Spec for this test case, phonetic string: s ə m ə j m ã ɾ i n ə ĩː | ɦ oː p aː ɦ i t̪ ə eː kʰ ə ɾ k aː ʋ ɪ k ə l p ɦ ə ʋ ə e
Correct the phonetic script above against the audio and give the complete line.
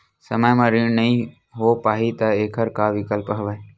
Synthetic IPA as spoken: s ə m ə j m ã ɾ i n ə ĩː | ɦ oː p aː ɦ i t̪ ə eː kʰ ə ɾ k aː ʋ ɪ k ə l p ɦ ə ʋ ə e